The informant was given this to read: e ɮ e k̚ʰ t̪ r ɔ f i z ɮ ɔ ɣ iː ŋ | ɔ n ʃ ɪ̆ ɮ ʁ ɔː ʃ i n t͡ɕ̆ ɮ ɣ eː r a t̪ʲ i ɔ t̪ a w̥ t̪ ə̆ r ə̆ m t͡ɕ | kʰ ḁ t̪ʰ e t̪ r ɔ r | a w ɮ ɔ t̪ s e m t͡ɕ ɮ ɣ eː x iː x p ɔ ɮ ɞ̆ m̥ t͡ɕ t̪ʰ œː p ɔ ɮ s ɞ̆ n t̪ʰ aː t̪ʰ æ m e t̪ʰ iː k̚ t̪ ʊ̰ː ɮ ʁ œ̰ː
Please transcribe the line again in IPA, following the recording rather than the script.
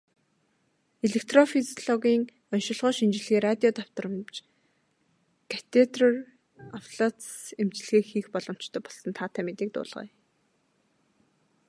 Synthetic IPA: e ɮ e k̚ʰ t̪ r ɔ f i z ɮ ɔ ɣ iː ŋ | ɔ n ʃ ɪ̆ ɮ ʁ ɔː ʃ i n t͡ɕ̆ ɮ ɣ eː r a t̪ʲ i ɔ t̪ a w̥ t̪ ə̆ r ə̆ m t͡ɕ | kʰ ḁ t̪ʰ e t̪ r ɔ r | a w ɮ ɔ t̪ s e m t͡ɕ ɮ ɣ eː x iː x p ɔ ɮ ɞ̆ m̥ t͡ɕ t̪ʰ œː p ɔ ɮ s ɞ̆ n t̪ʰ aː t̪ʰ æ m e t̪ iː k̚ t̪ ʊ̰ː ɮ ʁ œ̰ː